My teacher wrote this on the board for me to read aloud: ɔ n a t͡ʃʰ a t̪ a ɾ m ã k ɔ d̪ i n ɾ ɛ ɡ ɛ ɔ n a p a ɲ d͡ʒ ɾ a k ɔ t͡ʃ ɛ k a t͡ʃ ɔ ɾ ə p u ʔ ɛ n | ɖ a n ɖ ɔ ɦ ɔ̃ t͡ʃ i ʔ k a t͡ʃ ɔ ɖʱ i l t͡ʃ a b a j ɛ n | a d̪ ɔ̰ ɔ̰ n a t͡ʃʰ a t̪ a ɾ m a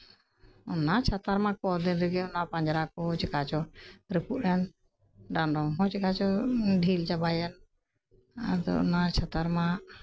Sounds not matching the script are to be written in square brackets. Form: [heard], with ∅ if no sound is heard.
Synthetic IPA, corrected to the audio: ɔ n a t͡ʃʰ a t̪ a ɾ m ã k ɔ d̪ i n ɾ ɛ ɡ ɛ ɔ n a p a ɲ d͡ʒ ɾ a k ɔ t͡ʃ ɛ k a t͡ʃ ɔ ɾ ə p u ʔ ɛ n | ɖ a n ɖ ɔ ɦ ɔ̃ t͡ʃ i [∅] k a t͡ʃ ɔ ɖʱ i l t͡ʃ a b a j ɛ n | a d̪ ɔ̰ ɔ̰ n a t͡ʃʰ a t̪ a ɾ m a